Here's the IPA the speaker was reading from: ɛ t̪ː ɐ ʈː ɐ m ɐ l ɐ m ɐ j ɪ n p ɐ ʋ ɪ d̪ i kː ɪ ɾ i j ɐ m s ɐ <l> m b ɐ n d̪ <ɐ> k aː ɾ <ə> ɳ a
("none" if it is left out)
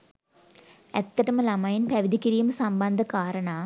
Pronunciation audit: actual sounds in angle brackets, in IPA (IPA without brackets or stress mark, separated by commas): none, ɐ, ɐ